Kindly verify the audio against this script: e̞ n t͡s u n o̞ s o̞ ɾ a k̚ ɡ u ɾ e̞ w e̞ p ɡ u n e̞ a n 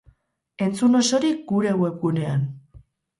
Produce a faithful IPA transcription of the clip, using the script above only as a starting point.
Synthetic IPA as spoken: e̞ n t͡s u n o̞ s o̞ ɾ i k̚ ɡ u ɾ e̞ w e̞ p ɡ u n e̞ a n